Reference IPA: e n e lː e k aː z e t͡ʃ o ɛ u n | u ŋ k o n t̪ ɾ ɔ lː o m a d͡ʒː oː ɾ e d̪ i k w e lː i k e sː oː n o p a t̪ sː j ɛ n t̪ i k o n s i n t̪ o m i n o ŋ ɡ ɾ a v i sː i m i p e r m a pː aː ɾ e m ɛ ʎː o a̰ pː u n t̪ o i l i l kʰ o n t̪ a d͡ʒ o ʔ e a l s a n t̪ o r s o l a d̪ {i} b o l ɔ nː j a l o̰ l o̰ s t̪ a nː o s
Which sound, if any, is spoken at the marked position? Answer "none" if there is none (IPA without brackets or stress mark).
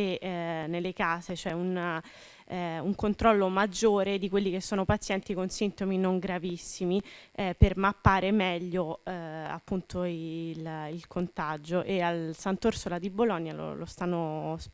i